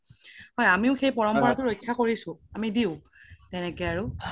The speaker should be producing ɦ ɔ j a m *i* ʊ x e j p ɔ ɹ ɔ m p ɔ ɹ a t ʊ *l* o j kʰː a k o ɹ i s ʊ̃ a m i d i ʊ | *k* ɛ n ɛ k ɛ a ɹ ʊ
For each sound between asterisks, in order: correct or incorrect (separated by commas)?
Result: correct, incorrect, incorrect